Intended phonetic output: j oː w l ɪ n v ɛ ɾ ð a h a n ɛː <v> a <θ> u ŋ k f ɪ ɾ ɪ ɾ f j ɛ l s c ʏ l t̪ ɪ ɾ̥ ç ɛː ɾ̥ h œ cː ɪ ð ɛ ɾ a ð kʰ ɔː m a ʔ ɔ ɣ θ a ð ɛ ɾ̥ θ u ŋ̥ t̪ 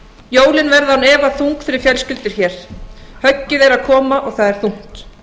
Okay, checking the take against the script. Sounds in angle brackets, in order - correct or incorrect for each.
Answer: correct, correct

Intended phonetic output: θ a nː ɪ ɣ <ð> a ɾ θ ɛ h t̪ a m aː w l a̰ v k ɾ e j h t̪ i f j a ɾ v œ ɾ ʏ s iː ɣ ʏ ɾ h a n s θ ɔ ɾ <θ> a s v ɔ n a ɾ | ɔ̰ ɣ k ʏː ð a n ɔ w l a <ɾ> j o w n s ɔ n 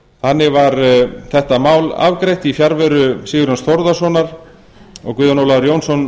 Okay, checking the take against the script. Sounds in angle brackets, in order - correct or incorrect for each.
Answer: incorrect: v, incorrect: ð, correct

